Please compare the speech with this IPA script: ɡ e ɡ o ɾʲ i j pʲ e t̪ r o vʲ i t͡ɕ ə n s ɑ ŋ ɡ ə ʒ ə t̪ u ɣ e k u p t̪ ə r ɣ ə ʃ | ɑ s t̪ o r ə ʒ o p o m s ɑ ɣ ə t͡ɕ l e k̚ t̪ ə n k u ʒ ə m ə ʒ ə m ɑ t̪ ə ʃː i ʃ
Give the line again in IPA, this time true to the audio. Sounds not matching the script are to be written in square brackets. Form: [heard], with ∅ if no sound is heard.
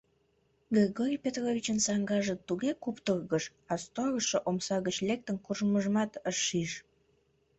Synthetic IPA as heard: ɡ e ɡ o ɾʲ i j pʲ e t̪ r o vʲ i t͡ɕ ə n s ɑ ŋ ɡ [ɑ] ʒ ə t̪ u ɣ e k u p t̪ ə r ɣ ə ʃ | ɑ s t̪ o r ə [ʃ] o [ʔ] o m s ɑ ɣ ə t͡ɕ l e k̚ t̪ ə n k u ʒ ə m ə ʒ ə m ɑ t̪ ə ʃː i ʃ